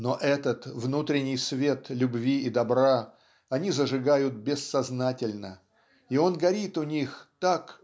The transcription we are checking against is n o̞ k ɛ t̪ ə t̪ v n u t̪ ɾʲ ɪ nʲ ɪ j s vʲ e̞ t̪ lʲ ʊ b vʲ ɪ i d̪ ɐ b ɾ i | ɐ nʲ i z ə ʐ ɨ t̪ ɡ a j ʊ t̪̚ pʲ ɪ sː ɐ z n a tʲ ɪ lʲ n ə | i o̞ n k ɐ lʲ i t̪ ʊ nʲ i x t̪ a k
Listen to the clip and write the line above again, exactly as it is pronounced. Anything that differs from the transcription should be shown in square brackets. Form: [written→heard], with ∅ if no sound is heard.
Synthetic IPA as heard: n o̞ [k→ʔ] ɛ t̪ ə t̪ v n u t̪ ɾʲ ɪ nʲ ɪ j s vʲ e̞ t̪ lʲ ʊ b vʲ [ɪ→i] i d̪ ɐ b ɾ [i→a] | ɐ nʲ i z ə ʐ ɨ [t̪→∅] ɡ a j ʊ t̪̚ [pʲ→bʲ] ɪ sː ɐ z n a tʲ ɪ lʲ n ə | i o̞ n [k→ɡ] ɐ [lʲ→ɾʲ] i t̪ ʊ nʲ i x t̪ a k

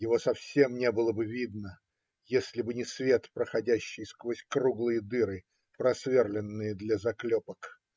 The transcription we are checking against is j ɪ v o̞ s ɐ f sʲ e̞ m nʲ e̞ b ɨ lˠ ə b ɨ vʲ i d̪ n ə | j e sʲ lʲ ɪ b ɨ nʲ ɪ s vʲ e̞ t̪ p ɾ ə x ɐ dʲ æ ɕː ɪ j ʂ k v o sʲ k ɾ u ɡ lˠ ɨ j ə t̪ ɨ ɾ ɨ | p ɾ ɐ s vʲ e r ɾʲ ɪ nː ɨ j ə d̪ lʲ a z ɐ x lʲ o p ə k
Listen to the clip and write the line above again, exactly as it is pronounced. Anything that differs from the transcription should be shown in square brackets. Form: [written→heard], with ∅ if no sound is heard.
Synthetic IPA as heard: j ɪ v o̞ s ɐ f sʲ e̞ m nʲ e̞ b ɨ lˠ ə b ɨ vʲ i d̪ n ə | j e sʲ lʲ ɪ b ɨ nʲ ɪ s vʲ e̞ t̪ p ɾ ə x ɐ dʲ æ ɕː ɪ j [ʂ→s] k v o sʲ k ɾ u ɡ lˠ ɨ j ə [t̪→d̪] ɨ ɾ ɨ | p ɾ ɐ s vʲ e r [ɾʲ→lʲ] ɪ nː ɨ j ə d̪ lʲ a z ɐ [x→k] lʲ o p ə k

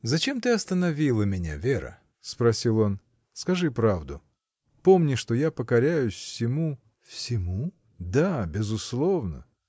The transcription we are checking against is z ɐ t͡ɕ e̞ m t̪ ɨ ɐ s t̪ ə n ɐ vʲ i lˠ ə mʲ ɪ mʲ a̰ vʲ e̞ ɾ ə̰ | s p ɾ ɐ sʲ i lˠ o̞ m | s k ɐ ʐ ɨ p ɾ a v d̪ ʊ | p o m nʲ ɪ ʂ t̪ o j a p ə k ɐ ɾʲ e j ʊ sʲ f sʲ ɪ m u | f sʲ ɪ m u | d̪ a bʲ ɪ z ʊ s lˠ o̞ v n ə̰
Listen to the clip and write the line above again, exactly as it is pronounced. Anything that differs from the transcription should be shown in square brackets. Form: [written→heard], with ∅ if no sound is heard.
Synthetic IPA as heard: z ɐ t͡ɕ e̞ m t̪ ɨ ɐ s t̪ ə n ɐ vʲ i lˠ ə mʲ ɪ [mʲ→nʲ] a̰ vʲ e̞ ɾ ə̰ | s p ɾ ɐ sʲ i lˠ o̞ [m→n] | s k ɐ ʐ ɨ p ɾ a v d̪ ʊ | p o m nʲ ɪ ʂ t̪ o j a p ə k ɐ ɾʲ [e→æ] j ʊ sʲ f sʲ ɪ m u | f sʲ ɪ m u | d̪ a bʲ ɪ z ʊ s lˠ o̞ v n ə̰

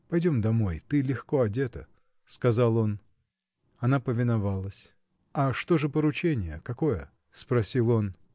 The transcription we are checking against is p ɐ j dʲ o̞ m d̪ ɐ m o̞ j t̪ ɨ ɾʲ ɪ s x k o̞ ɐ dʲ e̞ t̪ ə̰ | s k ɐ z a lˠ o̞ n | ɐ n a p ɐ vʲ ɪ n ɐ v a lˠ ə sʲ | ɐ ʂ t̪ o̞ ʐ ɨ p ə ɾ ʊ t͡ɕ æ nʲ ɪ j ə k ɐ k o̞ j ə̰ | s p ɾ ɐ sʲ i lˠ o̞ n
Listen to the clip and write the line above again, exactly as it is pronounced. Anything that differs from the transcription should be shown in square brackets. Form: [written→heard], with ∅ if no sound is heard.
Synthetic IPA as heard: p ɐ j dʲ o̞ m d̪ ɐ m o̞ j t̪ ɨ [ɾʲ→lʲ] ɪ [s→∅] x k o̞ ɐ dʲ e̞ t̪ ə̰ | s k ɐ z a lˠ o̞ n | ɐ n a p [ɐ→ə] vʲ ɪ n ɐ v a lˠ ə sʲ | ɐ ʂ t̪ o̞ ʐ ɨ p ə ɾ ʊ t͡ɕ [æ→e] nʲ ɪ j ə k ɐ k o̞ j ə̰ | s p ɾ ɐ sʲ i lˠ o̞ n

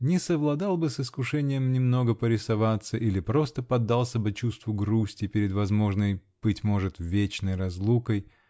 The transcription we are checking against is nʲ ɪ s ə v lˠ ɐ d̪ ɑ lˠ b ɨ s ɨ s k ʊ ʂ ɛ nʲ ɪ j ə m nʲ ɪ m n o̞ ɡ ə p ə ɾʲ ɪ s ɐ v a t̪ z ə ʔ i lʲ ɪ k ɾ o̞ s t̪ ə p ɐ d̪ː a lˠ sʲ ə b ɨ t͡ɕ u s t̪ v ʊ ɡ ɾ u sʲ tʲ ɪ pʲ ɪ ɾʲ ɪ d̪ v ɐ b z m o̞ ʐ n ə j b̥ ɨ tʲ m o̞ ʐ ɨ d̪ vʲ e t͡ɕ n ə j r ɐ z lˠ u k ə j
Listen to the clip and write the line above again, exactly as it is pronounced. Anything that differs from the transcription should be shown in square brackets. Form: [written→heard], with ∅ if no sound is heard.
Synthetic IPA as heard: nʲ ɪ s ə v lˠ ɐ d̪ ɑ lˠ b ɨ s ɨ s k ʊ ʂ ɛ nʲ ɪ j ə m nʲ ɪ m n o̞ ɡ ə p ə ɾʲ ɪ s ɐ v a t̪ [z→s] ə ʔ i lʲ ɪ [k→p] ɾ o̞ s t̪ ə p ɐ d̪ː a lˠ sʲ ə b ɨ t͡ɕ u s t̪ v ʊ ɡ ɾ u sʲ tʲ ɪ pʲ ɪ ɾʲ ɪ d̪ v ɐ [b→∅] z m o̞ ʐ n ə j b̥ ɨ tʲ m o̞ ʐ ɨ [d̪→t̪] vʲ e t͡ɕ n ə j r ɐ z lˠ u k ə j

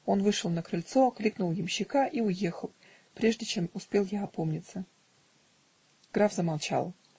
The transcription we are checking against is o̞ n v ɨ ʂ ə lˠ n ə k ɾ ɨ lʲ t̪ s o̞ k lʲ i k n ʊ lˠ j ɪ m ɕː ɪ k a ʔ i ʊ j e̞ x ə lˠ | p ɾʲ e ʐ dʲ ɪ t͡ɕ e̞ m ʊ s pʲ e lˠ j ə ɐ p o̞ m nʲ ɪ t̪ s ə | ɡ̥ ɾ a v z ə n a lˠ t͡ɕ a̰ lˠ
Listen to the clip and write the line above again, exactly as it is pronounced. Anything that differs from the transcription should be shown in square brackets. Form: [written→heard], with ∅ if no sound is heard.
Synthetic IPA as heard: o̞ n v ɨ ʂ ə lˠ n ə k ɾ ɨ lʲ t̪ s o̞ k lʲ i k n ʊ lˠ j ɪ m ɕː ɪ k a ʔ i ʊ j e̞ x ə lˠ | p ɾʲ e ʐ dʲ ɪ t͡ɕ e̞ m ʊ s pʲ e lˠ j [ə→a] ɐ p o̞ m nʲ ɪ t̪ s ə | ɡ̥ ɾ a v z ə [n→m] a lˠ t͡ɕ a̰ lˠ

